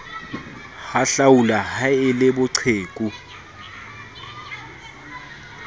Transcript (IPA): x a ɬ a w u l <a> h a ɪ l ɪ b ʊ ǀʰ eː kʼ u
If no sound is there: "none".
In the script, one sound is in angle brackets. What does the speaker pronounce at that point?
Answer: a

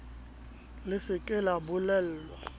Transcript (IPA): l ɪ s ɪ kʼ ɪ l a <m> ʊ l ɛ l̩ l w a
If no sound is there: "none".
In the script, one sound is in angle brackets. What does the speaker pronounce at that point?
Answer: b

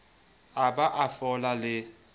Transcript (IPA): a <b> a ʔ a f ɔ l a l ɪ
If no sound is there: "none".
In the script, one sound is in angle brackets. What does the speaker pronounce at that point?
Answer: b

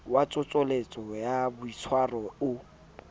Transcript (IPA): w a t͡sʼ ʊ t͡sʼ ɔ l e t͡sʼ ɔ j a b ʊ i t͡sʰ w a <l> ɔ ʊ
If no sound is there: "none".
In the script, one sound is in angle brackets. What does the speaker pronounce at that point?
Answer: r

